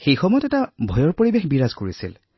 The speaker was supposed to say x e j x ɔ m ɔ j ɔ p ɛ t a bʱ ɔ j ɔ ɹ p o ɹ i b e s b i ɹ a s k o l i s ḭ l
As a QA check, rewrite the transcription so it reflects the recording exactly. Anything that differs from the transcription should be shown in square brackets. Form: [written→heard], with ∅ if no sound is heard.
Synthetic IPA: x e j x ɔ m ɔ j ɔ [p→t] ɛ t a bʱ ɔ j ɔ ɹ p o ɹ i b e [s→x] b i ɹ a [s→z] k o [l→ɹ] i s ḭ l

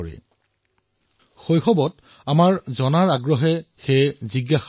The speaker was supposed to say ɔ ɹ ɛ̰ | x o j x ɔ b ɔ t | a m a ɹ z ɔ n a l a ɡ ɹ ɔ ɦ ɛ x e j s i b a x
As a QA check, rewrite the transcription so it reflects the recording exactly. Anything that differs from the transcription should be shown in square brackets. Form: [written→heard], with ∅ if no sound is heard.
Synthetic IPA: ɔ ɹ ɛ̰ | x o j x ɔ b ɔ t | a m a ɹ z ɔ n a [l→ɹ] a ɡ ɹ ɔ ɦ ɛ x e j [s→z] i [b→ɡ] a x

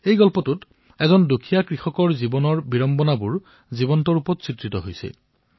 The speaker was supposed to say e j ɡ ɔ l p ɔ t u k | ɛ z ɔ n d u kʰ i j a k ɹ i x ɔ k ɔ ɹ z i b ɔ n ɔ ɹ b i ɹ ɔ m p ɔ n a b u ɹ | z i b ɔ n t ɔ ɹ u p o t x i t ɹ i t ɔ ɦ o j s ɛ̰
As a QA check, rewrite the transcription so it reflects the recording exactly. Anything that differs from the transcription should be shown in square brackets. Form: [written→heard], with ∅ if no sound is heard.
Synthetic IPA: e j ɡ ɔ l p ɔ t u [k→t] | ɛ z ɔ n d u kʰ i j a k ɹ i x ɔ k ɔ ɹ z i b ɔ n ɔ ɹ b i ɹ ɔ m [p→b] ɔ n a b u ɹ | z i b ɔ n t ɔ ɹ u p [o→ɔ] t [x→s] i t ɹ i t ɔ ɦ o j s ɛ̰

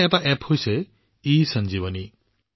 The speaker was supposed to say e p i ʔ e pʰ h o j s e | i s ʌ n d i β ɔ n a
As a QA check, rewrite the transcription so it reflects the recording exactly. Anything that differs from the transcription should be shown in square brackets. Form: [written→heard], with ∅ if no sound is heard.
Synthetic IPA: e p [i→a] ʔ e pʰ h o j s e | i s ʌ n [d→d͡ʒ] i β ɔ n [a→i]

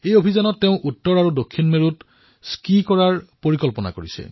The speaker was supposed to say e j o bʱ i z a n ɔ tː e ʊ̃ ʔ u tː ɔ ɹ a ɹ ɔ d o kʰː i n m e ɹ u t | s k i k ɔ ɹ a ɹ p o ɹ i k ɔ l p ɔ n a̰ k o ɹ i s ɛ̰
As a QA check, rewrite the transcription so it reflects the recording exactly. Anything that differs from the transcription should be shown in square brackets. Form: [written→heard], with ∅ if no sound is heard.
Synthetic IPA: e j o bʱ i z a n ɔ tː e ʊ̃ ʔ u tː ɔ ɹ a ɹ [ɔ→u] d o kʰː i n m e ɹ u t | s k i k ɔ ɹ a ɹ p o ɹ i k ɔ l p ɔ n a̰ k o ɹ i s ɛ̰

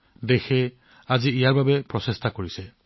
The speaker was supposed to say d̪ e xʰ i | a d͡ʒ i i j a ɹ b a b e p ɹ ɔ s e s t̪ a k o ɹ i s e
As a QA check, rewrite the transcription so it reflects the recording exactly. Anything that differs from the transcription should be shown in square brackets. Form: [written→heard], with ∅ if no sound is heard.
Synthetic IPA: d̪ e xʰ [i→e] | a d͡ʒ i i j a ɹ b a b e p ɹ ɔ s e s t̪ a k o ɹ i s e

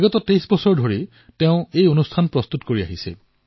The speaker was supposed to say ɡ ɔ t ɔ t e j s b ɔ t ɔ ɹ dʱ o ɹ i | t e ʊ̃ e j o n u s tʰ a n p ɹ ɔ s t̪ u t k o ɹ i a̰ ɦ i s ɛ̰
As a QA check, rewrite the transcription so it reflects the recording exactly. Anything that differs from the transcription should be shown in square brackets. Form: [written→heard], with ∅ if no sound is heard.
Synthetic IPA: ɡ ɔ t ɔ t e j s b ɔ [t→s] ɔ ɹ dʱ o ɹ i | t e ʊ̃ e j o n u s tʰ a n p ɹ ɔ s t̪ u t k o ɹ i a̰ ɦ i s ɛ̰

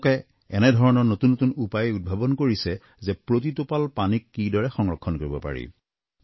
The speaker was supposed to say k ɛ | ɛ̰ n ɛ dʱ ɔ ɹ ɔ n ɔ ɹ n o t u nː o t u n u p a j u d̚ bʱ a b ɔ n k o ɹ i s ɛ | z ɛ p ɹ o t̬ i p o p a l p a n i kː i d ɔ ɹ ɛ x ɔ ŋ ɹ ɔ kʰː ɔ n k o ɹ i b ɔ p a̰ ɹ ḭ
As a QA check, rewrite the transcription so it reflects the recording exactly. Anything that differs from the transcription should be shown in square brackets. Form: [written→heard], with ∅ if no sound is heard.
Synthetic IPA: k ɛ | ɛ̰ n ɛ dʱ ɔ ɹ ɔ n ɔ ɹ n o t u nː o t u n u p a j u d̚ bʱ a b ɔ n k o ɹ i s ɛ | z ɛ p ɹ o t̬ i [p→t] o p a l p a n i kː i d ɔ ɹ ɛ x ɔ ŋ ɹ ɔ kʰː ɔ n k o ɹ i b ɔ p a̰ ɹ ḭ

